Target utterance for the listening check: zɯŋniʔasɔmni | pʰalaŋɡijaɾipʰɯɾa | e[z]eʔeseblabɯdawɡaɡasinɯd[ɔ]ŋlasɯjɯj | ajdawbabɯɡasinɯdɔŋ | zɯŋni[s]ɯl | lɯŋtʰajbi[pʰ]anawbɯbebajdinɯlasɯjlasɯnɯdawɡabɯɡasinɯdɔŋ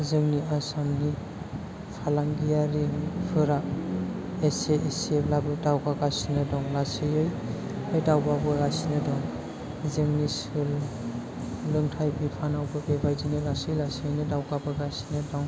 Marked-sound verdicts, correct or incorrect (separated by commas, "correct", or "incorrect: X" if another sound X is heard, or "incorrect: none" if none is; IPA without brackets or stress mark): incorrect: s, correct, correct, correct